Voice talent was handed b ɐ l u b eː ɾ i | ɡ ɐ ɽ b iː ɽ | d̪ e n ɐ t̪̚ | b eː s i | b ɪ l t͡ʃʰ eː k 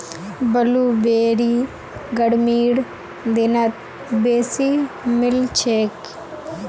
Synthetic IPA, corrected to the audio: b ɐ l u b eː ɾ i | ɡ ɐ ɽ m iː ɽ | d̪ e n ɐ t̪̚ | b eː s i | m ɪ l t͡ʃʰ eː k